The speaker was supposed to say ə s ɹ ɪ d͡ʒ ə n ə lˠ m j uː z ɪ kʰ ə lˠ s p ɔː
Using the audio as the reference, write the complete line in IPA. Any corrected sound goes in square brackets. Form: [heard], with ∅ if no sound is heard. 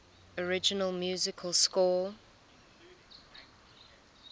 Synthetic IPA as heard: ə [∅] ɹ ɪ d͡ʒ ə n ə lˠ m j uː z ɪ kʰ ə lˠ s [k] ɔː